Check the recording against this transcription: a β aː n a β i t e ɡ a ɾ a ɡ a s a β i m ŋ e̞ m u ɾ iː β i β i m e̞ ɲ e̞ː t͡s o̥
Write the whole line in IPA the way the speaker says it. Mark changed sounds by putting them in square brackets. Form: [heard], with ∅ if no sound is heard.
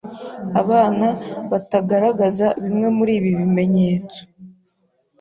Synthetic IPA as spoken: a β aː n a β [a] t [a] ɡ a ɾ a ɡ a [z] a β i m ŋ e̞ m u ɾ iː β i β i m e̞ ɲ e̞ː t͡s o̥